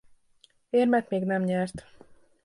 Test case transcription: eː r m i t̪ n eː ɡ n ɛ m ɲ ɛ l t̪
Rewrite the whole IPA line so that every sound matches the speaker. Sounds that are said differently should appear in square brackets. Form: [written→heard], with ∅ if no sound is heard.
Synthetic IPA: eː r m [i→ɛ] t̪ [n→m] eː ɡ n ɛ m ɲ ɛ [l→r] t̪